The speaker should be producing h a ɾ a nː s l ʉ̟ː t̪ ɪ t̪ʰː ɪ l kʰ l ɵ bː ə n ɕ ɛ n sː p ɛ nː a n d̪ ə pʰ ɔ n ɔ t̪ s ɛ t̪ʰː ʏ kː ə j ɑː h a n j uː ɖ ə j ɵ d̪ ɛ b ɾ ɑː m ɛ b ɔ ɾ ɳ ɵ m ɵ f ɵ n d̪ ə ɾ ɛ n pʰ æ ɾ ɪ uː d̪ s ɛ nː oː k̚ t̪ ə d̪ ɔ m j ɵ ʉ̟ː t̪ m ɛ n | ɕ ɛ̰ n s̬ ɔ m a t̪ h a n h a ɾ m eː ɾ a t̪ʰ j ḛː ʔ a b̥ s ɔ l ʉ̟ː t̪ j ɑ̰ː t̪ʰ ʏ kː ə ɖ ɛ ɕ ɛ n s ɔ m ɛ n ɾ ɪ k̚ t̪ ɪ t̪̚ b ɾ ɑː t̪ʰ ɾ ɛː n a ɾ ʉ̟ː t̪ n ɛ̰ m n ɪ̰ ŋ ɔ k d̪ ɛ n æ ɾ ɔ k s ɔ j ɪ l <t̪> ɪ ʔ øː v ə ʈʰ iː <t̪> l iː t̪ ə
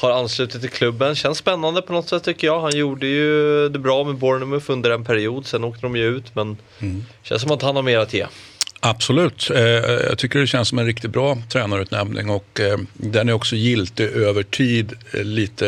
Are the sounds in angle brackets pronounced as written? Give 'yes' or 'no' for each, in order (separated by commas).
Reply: yes, no